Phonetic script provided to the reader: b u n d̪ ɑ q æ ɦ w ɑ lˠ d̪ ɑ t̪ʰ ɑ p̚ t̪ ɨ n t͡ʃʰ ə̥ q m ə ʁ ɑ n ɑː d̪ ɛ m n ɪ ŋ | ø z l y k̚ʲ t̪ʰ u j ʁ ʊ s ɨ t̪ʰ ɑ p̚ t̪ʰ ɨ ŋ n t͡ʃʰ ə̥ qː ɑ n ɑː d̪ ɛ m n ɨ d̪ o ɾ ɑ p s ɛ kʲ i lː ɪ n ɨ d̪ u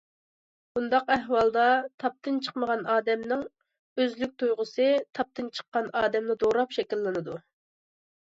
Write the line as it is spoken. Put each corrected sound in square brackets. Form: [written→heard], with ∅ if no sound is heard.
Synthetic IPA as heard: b u n d̪ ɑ q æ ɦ w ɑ lˠ d̪ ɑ t̪ʰ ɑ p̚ t̪ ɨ n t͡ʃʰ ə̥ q m ə ʁ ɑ n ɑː d̪ ɛ m n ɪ ŋ | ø z l y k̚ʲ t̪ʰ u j ʁ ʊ s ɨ t̪ʰ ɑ p̚ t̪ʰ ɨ [ŋ→∅] n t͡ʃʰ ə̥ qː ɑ n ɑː d̪ ɛ m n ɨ d̪ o ɾ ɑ p [s→ʃ] ɛ kʲ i lː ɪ n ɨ d̪ u